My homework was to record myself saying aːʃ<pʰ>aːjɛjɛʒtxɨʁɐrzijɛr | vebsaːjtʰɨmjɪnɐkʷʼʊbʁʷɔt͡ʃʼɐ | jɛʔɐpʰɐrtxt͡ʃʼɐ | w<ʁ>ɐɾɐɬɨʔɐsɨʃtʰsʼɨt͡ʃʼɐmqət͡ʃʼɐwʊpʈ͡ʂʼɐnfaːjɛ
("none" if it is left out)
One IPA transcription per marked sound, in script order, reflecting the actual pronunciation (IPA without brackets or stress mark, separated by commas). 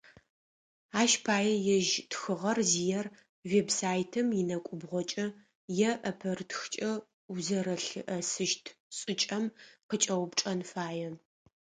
pʰ, z